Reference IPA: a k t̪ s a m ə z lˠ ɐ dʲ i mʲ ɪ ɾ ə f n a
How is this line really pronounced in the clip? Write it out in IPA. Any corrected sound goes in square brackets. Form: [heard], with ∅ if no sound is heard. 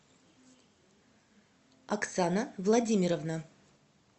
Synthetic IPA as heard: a k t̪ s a [n] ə [v] lˠ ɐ dʲ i mʲ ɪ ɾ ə [v] n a